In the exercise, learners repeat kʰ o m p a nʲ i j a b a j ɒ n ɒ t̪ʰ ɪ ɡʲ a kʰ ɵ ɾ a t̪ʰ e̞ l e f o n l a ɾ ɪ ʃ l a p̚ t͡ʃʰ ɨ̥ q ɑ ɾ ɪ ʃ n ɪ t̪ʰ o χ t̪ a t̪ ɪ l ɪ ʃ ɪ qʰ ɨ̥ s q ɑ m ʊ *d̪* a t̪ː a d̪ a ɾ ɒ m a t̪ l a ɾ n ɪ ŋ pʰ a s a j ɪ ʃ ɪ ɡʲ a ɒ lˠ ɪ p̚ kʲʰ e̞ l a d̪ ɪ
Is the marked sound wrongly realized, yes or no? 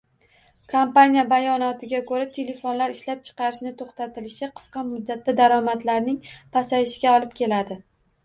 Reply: yes